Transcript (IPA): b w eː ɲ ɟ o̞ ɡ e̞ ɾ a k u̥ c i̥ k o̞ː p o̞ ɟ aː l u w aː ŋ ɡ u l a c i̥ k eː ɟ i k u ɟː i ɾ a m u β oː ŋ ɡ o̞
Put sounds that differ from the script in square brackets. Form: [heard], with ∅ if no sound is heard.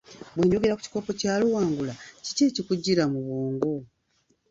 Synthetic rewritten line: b w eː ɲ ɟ o̞ ɡ e̞ ɾ a k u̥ c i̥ k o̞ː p o̞ [c] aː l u w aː ŋ ɡ u l a c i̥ [c] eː [c] i k u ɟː i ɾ a m u β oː ŋ ɡ o̞